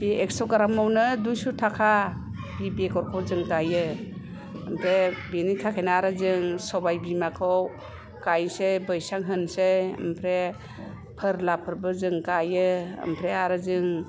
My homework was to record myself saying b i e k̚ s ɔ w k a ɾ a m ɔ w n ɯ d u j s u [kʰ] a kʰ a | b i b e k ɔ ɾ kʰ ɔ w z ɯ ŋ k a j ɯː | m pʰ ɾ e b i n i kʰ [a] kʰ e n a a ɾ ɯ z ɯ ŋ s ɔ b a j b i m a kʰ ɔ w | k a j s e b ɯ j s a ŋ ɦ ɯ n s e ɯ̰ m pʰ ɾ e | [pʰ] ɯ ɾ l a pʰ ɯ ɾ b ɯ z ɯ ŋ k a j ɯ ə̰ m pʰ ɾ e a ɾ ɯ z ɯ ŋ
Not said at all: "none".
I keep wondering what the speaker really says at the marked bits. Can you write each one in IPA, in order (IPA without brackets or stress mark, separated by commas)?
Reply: tʰ, a, pʰ